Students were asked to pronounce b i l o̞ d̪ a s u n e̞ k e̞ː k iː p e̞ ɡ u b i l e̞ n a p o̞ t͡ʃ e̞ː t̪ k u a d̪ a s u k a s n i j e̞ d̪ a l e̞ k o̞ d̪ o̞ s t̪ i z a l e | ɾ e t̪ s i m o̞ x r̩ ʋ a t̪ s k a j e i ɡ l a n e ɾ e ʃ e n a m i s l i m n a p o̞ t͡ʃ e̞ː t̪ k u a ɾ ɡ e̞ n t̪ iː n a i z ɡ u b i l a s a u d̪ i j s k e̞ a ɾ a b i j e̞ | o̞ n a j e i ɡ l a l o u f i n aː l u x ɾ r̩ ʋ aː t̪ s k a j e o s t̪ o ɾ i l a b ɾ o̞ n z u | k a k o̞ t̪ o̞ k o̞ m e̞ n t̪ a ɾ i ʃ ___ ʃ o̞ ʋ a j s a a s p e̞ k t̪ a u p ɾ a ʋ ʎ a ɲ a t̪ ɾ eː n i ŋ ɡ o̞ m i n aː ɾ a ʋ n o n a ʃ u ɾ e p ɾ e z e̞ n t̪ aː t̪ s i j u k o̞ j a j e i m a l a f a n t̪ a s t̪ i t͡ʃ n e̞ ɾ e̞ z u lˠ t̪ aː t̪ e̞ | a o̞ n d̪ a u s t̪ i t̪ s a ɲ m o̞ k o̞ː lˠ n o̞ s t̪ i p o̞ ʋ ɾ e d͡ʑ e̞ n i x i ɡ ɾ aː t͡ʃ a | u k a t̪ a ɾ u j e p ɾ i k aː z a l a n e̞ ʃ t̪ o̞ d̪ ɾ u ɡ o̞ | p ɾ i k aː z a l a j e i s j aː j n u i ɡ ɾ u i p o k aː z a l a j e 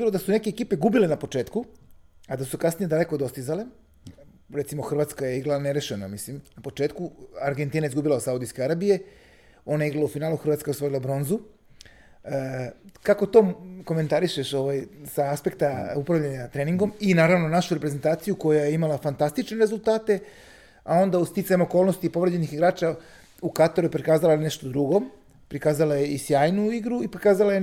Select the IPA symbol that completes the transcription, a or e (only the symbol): e